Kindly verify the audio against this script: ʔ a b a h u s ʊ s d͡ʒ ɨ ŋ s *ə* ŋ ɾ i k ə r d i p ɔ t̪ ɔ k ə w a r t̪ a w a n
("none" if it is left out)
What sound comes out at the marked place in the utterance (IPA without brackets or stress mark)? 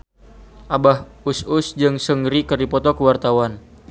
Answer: ə